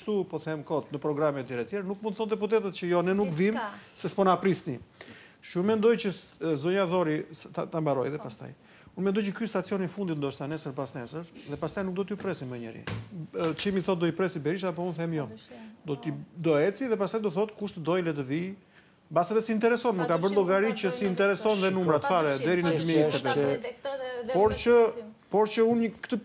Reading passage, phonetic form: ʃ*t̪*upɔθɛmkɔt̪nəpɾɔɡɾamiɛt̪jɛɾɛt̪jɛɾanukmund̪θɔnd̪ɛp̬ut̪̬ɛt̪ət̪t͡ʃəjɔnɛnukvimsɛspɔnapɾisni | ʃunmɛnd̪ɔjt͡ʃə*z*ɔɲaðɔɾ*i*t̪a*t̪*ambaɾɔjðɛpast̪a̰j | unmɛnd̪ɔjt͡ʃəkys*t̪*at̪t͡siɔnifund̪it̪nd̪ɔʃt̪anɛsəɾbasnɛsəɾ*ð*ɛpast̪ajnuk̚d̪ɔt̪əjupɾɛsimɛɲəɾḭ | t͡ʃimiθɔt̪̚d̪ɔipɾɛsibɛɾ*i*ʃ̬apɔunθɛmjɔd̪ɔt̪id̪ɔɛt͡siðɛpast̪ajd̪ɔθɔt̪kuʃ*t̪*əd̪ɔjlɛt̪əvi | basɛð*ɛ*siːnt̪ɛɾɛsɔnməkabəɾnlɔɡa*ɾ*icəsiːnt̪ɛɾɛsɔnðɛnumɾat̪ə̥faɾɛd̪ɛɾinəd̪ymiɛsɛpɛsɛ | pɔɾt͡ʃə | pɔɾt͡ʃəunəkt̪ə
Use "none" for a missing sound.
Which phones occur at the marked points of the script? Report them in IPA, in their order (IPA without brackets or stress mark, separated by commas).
t̪, z, i, t̪, t̪, ð, i, t̪, ɛ, ɾ